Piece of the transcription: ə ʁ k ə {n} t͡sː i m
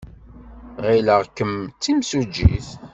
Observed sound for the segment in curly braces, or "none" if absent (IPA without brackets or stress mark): m